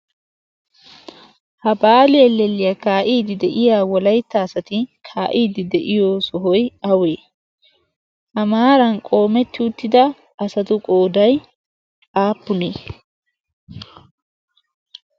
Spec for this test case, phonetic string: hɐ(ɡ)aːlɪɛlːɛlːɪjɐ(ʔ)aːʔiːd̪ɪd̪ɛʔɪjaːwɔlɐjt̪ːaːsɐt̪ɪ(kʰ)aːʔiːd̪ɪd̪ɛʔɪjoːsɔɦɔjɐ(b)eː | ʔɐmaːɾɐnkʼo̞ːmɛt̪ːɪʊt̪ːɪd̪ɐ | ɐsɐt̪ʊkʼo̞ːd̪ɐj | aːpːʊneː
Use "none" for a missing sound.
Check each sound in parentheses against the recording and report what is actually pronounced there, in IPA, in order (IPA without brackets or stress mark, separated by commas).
b, k, kʰ, w